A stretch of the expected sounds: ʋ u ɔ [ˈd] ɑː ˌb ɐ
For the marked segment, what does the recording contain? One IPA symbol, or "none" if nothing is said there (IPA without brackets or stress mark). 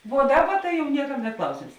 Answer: d